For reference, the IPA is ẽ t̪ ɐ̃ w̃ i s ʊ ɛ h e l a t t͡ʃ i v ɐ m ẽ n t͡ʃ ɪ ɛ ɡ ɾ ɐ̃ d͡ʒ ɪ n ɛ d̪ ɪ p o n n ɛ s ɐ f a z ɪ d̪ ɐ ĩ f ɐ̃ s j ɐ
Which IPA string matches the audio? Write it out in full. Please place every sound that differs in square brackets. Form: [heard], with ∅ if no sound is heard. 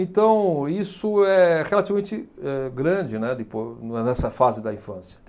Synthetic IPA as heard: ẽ t̪ ɐ̃ w̃ i s ʊ ɛ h e l a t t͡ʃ i v ɐ m ẽ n t͡ʃ ɪ ɛ ɡ ɾ ɐ̃ d͡ʒ ɪ n ɛ d̪ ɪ p o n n ɛ s ɐ f a z ɪ d̪ ɐ ĩ f ɐ̃ s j ɐ